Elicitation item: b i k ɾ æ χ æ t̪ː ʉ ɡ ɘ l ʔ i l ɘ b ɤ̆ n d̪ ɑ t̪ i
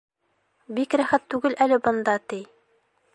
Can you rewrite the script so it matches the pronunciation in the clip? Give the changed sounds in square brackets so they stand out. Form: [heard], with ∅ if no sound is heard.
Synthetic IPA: b i k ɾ æ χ æ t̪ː ʉ ɡ ɘ l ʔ [æ] l ɘ b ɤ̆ n d̪ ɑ t̪ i